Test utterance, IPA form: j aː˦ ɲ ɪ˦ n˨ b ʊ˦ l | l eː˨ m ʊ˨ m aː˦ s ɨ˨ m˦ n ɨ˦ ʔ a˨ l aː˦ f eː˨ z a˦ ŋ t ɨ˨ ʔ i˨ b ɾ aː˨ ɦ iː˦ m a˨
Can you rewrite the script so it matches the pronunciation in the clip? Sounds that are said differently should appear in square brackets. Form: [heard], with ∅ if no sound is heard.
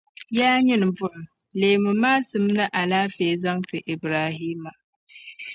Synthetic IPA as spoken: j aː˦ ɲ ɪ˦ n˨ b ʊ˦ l | l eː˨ m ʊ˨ m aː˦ s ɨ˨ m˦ n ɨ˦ ʔ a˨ l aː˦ f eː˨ z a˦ ŋ t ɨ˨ ʔ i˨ b ɾ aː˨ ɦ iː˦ m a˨